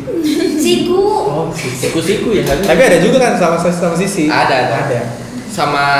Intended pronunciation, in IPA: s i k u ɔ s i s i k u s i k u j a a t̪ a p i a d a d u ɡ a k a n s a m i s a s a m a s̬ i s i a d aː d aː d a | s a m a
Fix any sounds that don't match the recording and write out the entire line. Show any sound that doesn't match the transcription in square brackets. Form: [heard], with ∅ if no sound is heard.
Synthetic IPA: s i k u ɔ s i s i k u s i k u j a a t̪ a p i a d a [d͡ʒ] u ɡ a k a n s a m [a] s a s a m a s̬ i s i a d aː d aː d a | s a m a